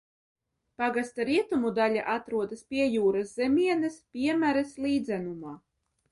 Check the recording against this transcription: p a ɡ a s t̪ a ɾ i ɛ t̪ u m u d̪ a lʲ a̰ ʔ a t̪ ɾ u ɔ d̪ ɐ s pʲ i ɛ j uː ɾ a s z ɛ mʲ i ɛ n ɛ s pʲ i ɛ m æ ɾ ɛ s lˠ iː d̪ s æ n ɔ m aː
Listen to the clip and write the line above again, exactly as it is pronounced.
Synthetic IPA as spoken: p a ɡ a s t̪ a ɾ i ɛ t̪ u m u d̪ a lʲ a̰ ʔ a t̪ ɾ u ɔ d̪ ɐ s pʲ i ɛ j uː ɾ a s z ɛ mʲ i ɛ n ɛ s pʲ i ɛ m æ ɾ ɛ s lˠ iː d̪ z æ n u m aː